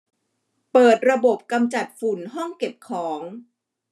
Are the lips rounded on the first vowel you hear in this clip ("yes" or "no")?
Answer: no